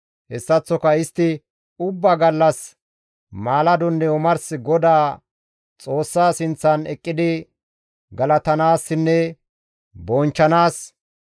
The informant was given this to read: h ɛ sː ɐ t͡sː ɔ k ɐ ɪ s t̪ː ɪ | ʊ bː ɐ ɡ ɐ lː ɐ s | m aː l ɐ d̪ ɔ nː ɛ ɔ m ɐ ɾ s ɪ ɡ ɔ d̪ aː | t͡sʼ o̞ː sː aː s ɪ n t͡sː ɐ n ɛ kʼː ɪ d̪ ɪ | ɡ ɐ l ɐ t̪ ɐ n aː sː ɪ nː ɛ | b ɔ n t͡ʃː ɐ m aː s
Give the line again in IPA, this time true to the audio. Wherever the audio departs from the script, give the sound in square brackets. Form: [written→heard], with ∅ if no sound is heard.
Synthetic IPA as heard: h ɛ sː ɐ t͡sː ɔ k ɐ ɪ s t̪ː ɪ | ʊ bː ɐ ɡ ɐ lː ɐ s | m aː l ɐ d̪ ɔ nː ɛ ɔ m ɐ ɾ s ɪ ɡ ɔ d̪ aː | t͡sʼ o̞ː sː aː s ɪ n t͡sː ɐ n ɛ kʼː ɪ d̪ ɪ | ɡ ɐ l ɐ t̪ ɐ n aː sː ɪ nː ɛ | b ɔ n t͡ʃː ɐ [m→n] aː s